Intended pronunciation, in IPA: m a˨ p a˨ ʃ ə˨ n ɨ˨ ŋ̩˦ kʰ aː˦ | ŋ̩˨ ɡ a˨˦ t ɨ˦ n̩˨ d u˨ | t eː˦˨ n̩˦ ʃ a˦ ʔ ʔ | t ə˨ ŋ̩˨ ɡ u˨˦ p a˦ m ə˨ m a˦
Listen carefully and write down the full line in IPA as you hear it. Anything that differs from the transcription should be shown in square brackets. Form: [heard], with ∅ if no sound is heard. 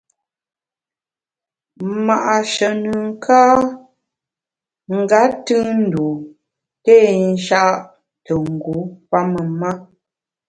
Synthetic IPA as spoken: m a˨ [ʔ] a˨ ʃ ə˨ n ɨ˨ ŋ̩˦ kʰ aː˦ | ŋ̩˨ ɡ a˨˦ t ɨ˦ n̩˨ d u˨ | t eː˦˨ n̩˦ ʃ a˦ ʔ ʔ | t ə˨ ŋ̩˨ ɡ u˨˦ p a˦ m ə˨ m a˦